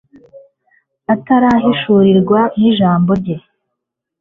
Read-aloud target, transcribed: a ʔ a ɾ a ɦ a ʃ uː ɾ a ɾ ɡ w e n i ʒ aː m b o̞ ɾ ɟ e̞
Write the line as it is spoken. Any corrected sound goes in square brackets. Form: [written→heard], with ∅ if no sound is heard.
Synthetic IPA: a [ʔ→t] a ɾ a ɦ [a→i] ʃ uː ɾ [a→i] ɾ ɡ w [e→a] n i ʒ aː m b o̞ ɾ ɟ e̞